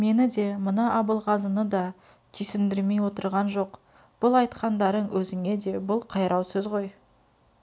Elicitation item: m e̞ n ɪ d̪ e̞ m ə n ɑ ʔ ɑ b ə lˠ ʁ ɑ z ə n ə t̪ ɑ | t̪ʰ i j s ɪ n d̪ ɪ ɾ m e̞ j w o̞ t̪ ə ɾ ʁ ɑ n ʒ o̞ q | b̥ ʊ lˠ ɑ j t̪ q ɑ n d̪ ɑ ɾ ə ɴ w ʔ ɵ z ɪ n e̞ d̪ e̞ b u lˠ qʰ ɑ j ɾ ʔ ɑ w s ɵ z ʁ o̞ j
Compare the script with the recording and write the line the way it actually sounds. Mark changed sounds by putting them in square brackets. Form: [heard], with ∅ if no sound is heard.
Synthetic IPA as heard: m e̞ n ɪ d̪ e̞ m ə n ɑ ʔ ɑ b ə lˠ ʁ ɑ z ə n ə [d̪] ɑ | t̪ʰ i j s ɪ n d̪ ɪ ɾ m e̞ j w o̞ t̪ ə ɾ ʁ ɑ n ʒ o̞ q | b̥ ʊ lˠ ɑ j t̪ q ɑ n d̪ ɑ ɾ ə ɴ w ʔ ɵ z ɪ [ŋ] e̞ d̪ e̞ b [ʊ] lˠ qʰ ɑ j ɾ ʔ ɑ w s ɵ z ʁ o̞ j